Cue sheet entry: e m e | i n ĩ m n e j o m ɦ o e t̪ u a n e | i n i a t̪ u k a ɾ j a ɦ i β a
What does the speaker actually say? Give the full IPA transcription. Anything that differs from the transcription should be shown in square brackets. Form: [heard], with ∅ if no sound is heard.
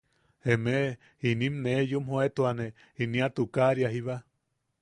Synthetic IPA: e m e | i n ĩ m n e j [u] m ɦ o e t̪ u a n e | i n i a t̪ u k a ɾ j a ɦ i β a